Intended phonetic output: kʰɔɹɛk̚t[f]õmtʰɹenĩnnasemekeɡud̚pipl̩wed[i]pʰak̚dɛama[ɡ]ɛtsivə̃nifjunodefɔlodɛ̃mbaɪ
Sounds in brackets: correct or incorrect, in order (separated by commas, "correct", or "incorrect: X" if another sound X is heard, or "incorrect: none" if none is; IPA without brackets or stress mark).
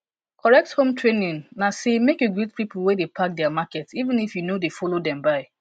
incorrect: h, incorrect: e, incorrect: k